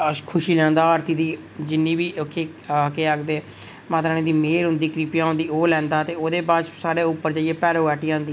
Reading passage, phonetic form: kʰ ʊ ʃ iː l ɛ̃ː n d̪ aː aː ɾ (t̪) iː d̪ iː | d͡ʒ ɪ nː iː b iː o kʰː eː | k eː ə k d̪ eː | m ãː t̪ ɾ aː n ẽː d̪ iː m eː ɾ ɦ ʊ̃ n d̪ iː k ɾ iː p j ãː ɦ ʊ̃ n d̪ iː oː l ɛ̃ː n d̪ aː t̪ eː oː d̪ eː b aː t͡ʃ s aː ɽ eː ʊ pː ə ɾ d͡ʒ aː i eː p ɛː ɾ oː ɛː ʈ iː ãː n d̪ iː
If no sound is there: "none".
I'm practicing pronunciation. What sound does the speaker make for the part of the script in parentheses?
t̪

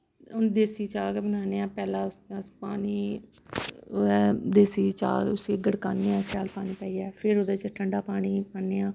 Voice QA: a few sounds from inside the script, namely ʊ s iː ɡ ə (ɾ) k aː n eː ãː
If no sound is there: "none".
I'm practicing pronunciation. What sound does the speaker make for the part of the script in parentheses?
ɽ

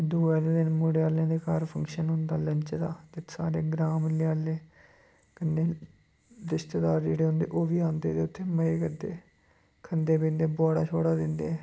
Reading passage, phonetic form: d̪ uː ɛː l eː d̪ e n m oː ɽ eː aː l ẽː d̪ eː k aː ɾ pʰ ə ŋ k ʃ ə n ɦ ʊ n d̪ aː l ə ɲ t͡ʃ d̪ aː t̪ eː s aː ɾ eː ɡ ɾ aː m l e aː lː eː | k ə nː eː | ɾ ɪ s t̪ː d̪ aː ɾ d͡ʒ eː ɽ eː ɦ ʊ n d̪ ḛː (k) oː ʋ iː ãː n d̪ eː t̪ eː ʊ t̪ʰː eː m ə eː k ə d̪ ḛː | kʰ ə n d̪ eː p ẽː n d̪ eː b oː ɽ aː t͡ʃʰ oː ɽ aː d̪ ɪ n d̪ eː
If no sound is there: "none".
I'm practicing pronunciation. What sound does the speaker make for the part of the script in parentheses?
ʔ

